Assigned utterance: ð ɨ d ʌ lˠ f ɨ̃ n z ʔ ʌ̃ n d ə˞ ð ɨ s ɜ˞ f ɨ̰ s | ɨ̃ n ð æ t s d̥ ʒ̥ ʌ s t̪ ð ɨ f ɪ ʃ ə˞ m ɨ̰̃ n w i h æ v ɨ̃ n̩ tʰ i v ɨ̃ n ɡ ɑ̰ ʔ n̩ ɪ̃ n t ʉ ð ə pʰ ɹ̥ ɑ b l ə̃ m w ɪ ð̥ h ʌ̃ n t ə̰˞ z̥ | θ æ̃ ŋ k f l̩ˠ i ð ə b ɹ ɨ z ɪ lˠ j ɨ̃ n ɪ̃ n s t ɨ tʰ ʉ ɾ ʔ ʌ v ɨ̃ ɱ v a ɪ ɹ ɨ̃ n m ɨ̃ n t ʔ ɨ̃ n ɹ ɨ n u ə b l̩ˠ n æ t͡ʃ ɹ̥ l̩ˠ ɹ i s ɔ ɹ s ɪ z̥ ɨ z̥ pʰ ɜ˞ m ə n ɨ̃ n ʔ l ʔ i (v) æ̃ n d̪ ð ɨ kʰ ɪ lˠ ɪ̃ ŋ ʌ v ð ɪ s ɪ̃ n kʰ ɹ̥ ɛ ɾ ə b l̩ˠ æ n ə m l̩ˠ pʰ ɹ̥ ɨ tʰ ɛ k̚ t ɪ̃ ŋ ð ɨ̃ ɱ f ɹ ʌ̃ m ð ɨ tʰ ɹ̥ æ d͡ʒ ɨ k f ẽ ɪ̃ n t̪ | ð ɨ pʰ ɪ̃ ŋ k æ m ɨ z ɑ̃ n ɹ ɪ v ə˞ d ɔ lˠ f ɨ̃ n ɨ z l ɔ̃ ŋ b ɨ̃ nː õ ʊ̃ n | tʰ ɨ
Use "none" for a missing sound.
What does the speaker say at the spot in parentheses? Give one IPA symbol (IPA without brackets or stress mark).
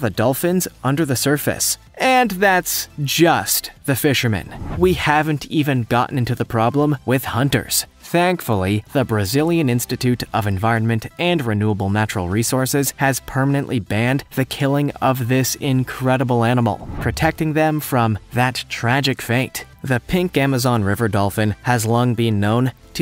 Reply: b